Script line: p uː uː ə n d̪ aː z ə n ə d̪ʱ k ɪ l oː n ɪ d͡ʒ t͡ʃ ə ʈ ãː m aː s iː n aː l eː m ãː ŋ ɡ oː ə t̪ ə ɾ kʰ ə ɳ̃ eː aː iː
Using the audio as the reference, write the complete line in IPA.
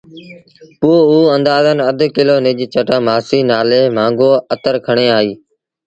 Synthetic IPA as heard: p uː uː ə n d̪ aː z ə n ə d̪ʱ k ɪ l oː n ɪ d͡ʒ t͡ʃ ə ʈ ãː m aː s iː n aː l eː m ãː ŋ ɡ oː ə t̪ ə ɾ kʰ ə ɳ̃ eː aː iː